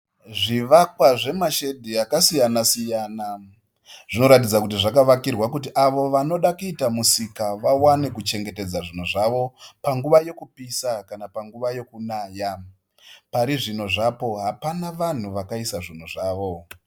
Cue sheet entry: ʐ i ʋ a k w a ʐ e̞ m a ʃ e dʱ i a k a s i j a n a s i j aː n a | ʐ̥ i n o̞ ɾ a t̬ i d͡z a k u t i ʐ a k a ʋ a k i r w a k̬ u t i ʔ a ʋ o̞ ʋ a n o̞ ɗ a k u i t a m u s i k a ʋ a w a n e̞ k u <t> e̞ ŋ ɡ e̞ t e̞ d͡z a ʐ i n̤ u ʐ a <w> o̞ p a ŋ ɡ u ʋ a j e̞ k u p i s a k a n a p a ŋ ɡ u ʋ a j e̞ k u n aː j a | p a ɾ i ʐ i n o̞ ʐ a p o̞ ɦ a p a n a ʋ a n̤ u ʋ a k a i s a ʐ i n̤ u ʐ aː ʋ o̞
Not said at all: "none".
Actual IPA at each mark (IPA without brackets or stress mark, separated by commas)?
t͡ʃ, ʋ